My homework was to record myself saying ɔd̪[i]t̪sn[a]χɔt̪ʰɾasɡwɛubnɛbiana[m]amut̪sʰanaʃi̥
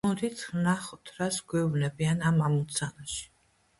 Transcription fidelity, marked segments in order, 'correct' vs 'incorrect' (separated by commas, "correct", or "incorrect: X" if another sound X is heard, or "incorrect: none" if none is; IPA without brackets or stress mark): correct, correct, correct